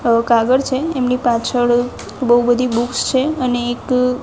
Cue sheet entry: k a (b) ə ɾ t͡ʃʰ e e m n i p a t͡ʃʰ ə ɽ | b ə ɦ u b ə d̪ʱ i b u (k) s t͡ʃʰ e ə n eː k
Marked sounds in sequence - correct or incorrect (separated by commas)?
incorrect, correct